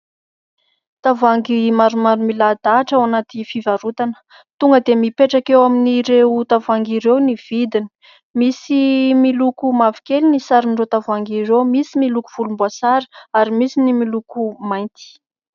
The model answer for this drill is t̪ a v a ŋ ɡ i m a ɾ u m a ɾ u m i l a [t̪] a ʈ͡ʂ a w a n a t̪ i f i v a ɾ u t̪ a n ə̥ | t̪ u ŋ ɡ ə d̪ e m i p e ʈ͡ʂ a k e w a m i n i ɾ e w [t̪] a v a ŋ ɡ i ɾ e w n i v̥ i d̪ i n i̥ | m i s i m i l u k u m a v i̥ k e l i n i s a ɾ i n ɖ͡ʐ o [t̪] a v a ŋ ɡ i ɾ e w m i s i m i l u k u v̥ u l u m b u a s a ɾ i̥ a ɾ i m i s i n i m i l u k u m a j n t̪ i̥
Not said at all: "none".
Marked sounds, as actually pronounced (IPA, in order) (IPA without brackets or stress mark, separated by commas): d̪, t̪, t̪